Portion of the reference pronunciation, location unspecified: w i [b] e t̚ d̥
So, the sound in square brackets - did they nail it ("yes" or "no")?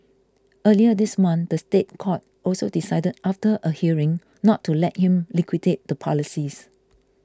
no